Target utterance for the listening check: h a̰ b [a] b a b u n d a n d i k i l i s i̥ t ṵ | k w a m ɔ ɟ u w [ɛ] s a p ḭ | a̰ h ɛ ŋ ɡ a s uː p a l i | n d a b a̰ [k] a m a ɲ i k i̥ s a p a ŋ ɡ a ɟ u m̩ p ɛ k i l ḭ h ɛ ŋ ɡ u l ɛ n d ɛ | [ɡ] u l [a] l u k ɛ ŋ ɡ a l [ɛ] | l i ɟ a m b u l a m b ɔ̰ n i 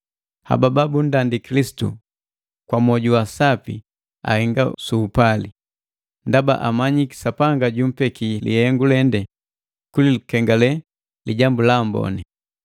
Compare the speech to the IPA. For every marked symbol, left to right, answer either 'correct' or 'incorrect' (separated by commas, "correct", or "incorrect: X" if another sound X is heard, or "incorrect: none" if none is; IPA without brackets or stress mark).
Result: correct, incorrect: a, incorrect: ʔ, incorrect: k, incorrect: i, correct